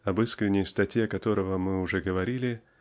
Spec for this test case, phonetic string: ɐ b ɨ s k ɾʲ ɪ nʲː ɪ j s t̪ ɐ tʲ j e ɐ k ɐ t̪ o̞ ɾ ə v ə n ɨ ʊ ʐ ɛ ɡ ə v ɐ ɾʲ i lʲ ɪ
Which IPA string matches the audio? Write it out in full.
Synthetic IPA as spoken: ɐ b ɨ s k ɾʲ ɪ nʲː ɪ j s t̪ ɐ tʲ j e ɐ k ɐ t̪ o̞ ɾ ə v ə m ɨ ʊ ʐ ɛ ɡ ə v ɐ ɾʲ i lʲ ɪ